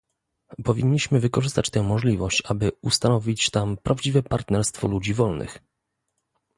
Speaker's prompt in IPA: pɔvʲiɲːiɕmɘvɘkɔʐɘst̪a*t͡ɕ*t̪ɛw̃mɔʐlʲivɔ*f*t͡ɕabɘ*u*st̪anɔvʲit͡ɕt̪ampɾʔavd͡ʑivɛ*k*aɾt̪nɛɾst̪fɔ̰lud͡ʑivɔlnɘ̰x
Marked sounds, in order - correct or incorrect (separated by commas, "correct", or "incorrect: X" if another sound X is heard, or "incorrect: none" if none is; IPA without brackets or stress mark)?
correct, incorrect: ɕ, correct, incorrect: p